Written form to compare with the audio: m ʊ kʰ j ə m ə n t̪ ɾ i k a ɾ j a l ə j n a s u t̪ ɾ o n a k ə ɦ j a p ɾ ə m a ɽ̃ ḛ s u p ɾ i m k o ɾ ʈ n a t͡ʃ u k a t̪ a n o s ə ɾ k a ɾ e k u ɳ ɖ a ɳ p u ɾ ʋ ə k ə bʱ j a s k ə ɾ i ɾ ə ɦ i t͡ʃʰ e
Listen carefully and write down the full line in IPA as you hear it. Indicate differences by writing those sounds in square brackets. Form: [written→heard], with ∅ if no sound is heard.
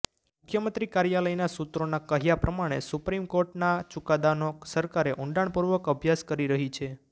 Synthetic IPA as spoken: m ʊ kʰ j ə m ə n t̪ ɾ i k a ɾ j a l ə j n a s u t̪ ɾ o n a k ə ɦ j a p ɾ ə m a ɽ̃ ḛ s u p ɾ i m k o ɾ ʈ n a t͡ʃ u k a [t̪→d̪] a n o s ə ɾ k a ɾ e [k→ʔ] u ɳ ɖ a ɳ p u ɾ ʋ ə k ə bʱ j a s k ə ɾ i ɾ ə ɦ i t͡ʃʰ e